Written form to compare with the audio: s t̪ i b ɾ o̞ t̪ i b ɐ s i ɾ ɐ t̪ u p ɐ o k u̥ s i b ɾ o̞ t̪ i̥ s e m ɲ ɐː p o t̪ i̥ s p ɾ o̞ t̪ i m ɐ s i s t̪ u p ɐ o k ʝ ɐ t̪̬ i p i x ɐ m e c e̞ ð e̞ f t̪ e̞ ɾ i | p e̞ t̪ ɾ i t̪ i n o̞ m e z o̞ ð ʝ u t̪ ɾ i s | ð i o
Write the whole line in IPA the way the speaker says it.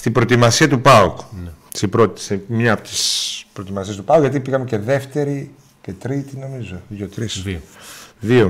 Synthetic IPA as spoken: s t̪ i b ɾ o̞ t̪ i m ɐ s i ɐ t̪ u p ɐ o k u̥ s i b ɾ o̞ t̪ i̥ s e m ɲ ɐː p o t̪ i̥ s p ɾ o̞ t̪ i m ɐ s i s t̪ u p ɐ o k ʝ ɐ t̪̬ i p i ɣ ɐ m e c e̞ ð e̞ f t̪ e̞ ɾ i | c e̞ t̪ ɾ i t̪ i n o̞ m i z o̞ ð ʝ o t̪ ɾ i s | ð i o